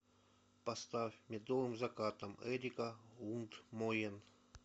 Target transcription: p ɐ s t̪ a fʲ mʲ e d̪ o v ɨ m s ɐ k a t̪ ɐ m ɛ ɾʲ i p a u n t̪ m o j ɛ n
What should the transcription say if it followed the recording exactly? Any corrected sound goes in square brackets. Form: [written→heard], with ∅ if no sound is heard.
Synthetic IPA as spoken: p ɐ s t̪ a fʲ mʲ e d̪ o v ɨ m [s→z] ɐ k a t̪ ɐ m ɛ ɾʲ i [p→k] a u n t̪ m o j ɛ n